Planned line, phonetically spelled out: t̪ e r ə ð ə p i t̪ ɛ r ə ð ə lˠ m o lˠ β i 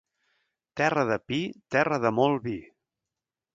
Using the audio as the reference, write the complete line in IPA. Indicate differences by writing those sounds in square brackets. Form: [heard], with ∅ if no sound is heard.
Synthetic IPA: t̪ [ɛ] r ə ð ə p i t̪ ɛ r ə ð ə [∅] m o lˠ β i